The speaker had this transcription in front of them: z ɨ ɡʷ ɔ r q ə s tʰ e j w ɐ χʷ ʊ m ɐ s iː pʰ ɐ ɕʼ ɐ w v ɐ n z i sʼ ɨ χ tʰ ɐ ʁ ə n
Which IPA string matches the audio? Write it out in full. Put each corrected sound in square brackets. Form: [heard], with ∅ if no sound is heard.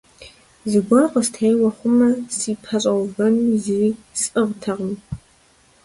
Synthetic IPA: z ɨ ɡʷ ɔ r q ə s tʰ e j w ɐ χʷ ʊ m ɐ s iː pʰ ɐ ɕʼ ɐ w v ɐ n z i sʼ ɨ [ʁ] tʰ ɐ ʁ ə [m]